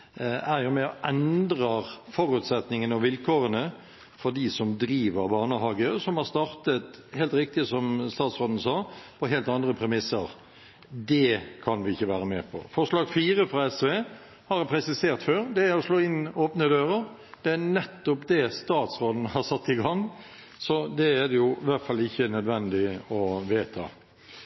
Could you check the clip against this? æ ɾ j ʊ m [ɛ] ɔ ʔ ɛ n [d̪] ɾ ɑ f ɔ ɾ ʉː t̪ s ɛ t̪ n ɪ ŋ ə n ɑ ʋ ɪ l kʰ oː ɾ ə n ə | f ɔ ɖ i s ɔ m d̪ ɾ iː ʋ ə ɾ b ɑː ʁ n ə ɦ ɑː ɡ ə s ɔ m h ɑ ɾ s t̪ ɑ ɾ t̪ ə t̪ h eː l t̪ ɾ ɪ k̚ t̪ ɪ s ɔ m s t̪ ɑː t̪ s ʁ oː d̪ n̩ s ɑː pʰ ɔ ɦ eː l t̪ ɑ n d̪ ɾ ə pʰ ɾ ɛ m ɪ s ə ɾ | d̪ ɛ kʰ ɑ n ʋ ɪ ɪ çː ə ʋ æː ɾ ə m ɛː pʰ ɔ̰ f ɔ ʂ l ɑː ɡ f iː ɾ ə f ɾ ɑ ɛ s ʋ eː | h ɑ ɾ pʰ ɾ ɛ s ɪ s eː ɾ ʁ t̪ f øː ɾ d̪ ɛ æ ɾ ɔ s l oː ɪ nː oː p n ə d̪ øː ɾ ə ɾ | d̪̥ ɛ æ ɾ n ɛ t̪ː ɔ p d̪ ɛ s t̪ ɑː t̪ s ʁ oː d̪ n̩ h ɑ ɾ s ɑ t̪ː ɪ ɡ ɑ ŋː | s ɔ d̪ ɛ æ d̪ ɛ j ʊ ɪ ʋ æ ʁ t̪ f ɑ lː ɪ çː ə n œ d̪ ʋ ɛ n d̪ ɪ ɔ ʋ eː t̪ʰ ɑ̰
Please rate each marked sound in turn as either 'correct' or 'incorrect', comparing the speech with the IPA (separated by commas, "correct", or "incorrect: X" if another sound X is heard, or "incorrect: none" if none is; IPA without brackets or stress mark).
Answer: correct, correct